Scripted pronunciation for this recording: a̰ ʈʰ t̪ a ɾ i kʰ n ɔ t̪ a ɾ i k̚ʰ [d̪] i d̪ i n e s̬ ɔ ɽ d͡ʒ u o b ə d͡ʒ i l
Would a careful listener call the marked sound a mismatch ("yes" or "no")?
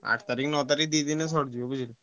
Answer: no